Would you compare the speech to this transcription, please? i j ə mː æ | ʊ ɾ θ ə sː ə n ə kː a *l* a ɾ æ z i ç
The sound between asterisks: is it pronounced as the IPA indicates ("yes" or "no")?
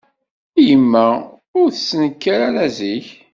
no